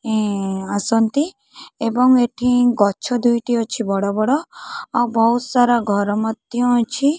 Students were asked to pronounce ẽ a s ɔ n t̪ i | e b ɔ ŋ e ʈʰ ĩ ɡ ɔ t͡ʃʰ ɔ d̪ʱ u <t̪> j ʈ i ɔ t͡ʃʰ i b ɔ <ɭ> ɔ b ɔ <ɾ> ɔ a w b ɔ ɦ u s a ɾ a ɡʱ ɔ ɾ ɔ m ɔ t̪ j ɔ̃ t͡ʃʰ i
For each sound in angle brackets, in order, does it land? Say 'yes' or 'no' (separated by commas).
no, no, no